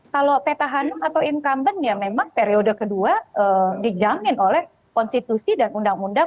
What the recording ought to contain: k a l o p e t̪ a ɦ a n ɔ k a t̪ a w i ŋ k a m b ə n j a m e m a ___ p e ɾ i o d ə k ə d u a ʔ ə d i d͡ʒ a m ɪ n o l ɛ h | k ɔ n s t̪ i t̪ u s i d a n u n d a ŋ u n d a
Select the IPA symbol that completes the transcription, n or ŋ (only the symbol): ŋ